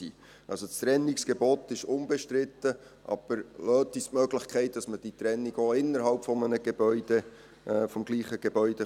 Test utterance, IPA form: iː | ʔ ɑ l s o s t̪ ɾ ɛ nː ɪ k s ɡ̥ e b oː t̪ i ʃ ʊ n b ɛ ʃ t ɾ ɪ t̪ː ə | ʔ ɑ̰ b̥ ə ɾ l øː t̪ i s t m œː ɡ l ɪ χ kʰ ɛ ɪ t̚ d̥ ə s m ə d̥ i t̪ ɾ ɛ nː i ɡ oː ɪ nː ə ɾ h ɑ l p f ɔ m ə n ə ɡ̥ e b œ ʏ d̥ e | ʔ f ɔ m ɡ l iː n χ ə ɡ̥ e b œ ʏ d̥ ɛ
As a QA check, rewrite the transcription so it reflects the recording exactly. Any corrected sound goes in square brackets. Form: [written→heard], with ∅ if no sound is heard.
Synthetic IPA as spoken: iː | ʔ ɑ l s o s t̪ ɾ ɛ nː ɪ k s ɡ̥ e b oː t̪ [i→ɪ] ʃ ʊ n b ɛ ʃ t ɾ ɪ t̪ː ə | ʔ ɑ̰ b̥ ə ɾ l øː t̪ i s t m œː ɡ l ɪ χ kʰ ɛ ɪ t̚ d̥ [ə→ɑ] s m ə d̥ i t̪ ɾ ɛ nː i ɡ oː ɪ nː ə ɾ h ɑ l p f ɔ m ə n ə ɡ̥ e b œ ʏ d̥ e | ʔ f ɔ m ɡ l iː [n→∅] χ ə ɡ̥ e b œ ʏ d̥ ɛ